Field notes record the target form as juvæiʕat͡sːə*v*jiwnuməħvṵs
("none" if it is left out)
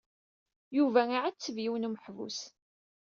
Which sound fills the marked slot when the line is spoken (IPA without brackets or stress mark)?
v